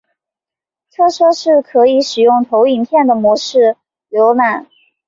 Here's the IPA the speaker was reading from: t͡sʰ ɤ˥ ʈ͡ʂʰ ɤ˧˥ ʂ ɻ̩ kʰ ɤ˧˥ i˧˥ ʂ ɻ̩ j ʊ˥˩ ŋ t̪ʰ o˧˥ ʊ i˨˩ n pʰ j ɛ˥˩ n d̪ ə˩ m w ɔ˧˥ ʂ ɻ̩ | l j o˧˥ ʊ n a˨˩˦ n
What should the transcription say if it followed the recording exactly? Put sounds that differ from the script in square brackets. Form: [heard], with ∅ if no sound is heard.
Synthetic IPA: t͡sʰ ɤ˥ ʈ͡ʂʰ [ɤ˥] ʂ ɻ̩ kʰ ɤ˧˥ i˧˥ ʂ ɻ̩ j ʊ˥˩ ŋ t̪ʰ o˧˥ ʊ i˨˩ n pʰ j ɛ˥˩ n d̪ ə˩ m w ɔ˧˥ ʂ ɻ̩ | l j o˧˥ ʊ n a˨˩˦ n